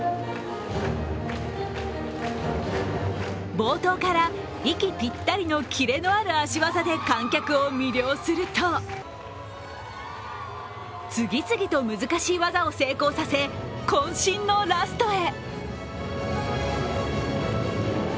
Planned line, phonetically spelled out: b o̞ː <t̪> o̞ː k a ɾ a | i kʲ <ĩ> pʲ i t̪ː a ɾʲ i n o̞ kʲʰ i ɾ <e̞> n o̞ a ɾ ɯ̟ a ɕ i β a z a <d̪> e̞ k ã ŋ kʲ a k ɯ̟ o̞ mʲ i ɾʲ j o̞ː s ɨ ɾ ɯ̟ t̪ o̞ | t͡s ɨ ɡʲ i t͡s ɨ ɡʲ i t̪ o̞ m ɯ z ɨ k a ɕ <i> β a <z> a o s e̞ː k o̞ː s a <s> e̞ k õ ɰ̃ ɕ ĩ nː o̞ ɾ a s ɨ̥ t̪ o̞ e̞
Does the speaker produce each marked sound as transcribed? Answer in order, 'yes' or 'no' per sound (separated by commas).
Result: yes, no, yes, yes, no, yes, yes